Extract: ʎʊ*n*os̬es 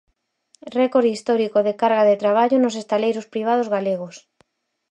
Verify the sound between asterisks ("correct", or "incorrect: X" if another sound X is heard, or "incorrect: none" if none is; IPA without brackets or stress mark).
correct